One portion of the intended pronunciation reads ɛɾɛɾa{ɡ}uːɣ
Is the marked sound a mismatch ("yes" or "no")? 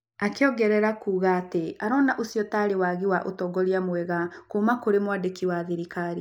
yes